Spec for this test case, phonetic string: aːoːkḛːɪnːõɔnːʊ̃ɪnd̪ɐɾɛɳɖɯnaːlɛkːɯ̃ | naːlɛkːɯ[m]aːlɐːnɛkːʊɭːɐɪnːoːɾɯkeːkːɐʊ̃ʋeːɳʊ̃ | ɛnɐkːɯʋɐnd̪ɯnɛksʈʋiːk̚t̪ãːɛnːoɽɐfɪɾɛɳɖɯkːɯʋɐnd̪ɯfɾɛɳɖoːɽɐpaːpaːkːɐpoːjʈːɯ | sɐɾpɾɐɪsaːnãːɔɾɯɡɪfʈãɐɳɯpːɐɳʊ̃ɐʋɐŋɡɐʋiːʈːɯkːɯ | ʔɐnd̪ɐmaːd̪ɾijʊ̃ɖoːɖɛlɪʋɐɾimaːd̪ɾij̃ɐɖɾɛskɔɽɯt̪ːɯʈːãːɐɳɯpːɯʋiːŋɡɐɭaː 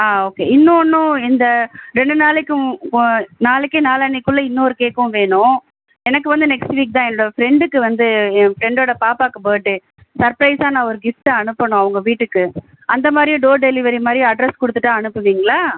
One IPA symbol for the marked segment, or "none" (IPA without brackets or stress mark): n